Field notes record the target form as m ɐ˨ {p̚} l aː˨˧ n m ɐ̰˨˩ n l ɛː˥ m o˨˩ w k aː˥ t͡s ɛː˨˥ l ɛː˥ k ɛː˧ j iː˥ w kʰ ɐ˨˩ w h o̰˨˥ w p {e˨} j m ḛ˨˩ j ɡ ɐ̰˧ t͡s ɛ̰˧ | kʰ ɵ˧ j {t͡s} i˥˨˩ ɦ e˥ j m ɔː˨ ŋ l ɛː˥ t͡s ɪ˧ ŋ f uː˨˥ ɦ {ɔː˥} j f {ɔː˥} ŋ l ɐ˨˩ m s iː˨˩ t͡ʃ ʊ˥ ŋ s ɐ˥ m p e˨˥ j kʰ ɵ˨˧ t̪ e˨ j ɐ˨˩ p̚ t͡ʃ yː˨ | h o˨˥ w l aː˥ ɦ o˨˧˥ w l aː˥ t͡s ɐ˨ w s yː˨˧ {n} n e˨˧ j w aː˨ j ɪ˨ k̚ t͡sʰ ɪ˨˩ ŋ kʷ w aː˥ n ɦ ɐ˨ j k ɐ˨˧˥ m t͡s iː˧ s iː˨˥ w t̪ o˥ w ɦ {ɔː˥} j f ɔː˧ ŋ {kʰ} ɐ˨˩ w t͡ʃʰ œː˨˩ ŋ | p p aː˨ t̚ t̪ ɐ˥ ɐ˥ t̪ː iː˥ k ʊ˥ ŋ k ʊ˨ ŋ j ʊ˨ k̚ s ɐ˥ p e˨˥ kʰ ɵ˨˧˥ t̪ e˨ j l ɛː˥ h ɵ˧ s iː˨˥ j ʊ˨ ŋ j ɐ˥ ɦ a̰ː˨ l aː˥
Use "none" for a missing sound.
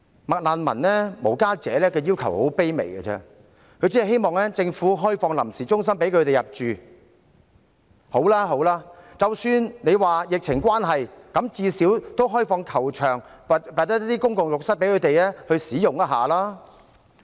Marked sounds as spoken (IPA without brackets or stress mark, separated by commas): k̚, e˥, t͡s, ɔː˥, ɔː˧, n, ɔː˥, kʰ